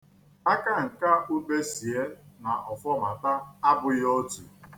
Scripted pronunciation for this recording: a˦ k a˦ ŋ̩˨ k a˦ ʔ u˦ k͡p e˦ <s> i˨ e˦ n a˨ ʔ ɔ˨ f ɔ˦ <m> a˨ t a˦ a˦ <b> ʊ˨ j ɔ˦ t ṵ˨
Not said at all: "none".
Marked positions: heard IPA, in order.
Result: s, m, b

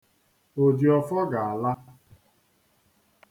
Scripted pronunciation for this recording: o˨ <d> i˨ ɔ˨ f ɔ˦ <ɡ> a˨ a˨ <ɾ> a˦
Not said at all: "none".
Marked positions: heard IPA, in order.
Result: d, ɡ, l

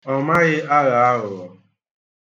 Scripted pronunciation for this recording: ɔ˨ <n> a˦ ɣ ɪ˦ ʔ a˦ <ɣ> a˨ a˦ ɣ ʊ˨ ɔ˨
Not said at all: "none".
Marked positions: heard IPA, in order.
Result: m, ɣ

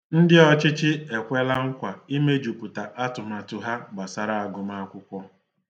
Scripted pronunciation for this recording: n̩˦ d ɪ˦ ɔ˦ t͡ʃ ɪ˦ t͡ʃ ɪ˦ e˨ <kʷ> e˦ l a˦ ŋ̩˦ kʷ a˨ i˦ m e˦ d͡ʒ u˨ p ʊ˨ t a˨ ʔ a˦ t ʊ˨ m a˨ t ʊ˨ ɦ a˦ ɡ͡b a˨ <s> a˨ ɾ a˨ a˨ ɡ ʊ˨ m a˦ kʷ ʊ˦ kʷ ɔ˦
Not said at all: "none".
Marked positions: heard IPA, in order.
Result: kʷ, s

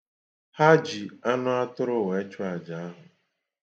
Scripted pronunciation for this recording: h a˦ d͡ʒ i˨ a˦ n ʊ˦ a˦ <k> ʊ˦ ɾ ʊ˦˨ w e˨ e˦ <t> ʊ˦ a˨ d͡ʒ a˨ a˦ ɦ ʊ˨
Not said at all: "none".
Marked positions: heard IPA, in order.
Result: t, t͡ʃ

